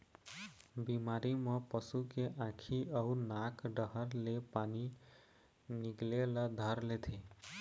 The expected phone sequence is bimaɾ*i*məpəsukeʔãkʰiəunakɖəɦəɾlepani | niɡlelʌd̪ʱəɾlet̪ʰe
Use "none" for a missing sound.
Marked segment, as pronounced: i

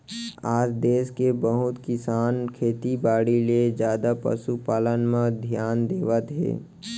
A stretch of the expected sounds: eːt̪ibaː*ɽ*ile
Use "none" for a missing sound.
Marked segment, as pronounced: ɽ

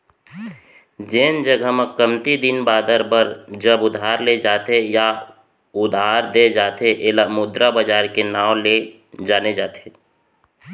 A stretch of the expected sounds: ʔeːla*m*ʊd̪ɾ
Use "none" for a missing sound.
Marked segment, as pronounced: m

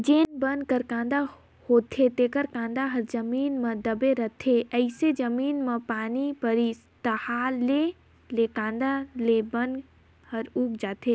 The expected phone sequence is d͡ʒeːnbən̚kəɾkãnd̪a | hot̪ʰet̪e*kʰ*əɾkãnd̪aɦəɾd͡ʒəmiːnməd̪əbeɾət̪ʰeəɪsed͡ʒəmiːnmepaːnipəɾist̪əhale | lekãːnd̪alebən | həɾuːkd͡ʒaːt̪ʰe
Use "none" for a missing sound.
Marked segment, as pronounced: k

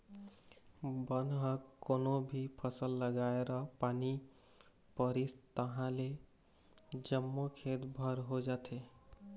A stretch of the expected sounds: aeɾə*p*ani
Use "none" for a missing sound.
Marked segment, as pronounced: p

